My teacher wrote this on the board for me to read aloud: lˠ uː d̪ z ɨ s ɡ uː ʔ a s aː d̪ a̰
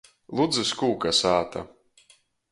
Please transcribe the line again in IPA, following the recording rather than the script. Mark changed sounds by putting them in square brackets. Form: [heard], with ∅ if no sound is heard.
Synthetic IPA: lˠ [u] d̪ z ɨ s [k] uː [k] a s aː [t̪] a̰